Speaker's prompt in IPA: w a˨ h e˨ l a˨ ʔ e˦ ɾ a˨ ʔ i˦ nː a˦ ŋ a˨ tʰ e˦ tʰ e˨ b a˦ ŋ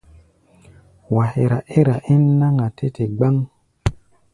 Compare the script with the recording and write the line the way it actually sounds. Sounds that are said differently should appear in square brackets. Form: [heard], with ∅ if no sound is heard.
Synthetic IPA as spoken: w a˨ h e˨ [ɾ] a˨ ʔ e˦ ɾ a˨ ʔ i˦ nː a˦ ŋ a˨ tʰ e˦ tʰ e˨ [ɡ͡b] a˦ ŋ